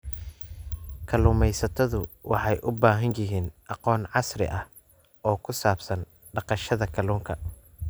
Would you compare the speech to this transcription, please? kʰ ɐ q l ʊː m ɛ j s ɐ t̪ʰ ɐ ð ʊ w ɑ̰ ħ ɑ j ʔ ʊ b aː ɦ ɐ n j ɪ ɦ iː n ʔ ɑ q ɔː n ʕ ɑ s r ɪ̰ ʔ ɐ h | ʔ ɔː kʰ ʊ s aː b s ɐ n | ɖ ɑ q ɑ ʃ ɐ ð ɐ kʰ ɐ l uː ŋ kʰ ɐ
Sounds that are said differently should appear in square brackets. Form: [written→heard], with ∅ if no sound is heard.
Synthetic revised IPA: kʰ ɐ [q→∅] l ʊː m ɛ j s ɐ t̪ʰ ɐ ð ʊ w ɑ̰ ħ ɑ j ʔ ʊ b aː ɦ ɐ n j ɪ ɦ iː n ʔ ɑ q ɔː n ʕ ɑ s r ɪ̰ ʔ ɐ h | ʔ ɔː kʰ ʊ s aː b s ɐ n | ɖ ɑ q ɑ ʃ ɐ ð ɐ kʰ ɐ l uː ŋ kʰ ɐ